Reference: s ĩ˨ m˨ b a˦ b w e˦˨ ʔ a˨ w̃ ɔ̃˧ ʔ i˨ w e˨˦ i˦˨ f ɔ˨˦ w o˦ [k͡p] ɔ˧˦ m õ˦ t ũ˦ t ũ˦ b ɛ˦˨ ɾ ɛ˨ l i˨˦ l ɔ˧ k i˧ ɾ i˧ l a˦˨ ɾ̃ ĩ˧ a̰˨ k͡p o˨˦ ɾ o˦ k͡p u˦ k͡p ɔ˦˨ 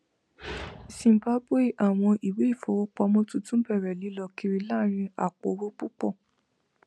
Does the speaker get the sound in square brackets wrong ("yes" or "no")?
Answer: no